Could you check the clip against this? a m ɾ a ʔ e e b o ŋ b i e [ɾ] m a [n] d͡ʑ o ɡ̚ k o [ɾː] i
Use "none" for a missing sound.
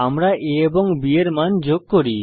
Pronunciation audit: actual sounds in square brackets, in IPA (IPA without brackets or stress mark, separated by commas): ɾ, n, ɾ